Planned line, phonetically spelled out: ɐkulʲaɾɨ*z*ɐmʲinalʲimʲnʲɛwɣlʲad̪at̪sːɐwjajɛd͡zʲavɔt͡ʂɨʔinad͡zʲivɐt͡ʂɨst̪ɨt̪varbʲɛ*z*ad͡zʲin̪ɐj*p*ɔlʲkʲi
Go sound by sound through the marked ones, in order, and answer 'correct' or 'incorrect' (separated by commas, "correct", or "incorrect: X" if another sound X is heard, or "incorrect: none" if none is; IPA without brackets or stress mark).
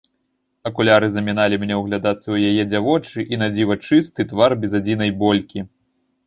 correct, correct, incorrect: b